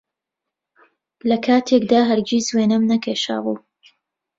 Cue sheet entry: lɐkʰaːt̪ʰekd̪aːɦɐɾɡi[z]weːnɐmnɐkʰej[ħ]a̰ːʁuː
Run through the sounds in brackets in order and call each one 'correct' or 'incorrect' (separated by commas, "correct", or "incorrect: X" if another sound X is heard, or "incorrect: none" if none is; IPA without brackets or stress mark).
correct, incorrect: ʃ